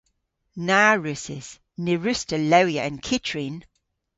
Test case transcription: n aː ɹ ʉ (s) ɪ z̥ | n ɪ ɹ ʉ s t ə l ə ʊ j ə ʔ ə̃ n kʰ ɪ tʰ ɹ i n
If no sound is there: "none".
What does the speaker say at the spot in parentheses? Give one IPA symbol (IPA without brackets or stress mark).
s